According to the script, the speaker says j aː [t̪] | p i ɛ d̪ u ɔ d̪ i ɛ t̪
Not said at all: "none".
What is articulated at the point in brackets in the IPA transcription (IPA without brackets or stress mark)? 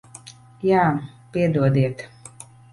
none